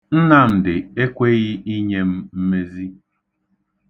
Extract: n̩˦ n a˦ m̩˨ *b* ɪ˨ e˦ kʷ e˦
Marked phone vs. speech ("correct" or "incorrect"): incorrect